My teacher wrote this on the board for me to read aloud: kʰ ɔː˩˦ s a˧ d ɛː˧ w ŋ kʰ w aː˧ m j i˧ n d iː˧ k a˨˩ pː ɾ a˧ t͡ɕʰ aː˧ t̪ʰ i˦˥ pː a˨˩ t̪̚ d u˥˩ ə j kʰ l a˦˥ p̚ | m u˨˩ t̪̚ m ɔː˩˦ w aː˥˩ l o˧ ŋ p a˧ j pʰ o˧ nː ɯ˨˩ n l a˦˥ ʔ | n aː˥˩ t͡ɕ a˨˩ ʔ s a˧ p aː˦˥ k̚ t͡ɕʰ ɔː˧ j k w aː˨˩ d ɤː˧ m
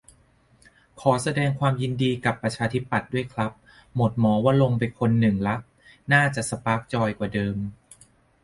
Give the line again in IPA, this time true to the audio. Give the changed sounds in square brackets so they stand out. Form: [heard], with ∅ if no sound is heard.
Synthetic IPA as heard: kʰ ɔː˩˦ s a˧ d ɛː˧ [∅] ŋ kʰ w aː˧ m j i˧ n d iː˧ k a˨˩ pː ɾ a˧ t͡ɕʰ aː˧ t̪ʰ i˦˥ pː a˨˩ t̪̚ d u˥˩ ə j kʰ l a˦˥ p̚ | m [o˨˩] t̪̚ m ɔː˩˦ w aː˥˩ l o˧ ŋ p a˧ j [kʰ] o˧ nː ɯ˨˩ [ŋ] l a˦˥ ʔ | n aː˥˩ t͡ɕ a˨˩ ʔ s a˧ p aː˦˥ k̚ [t͡ɕ] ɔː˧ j k w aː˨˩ d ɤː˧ m